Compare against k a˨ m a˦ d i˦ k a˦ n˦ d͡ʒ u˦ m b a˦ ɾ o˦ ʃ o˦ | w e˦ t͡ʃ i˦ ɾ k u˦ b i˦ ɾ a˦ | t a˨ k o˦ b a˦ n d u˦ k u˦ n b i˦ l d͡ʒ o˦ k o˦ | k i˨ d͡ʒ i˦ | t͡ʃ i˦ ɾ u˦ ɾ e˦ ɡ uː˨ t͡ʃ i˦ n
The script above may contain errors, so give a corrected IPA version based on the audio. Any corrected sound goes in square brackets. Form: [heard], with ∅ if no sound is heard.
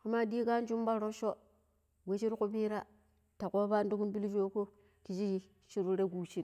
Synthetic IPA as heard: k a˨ m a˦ d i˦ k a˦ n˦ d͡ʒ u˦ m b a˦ ɾ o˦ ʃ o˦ | w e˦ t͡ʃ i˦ ɾ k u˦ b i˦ ɾ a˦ | t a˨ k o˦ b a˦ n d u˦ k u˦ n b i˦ l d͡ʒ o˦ k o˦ | k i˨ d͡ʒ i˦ | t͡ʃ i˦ ɾ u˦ ɾ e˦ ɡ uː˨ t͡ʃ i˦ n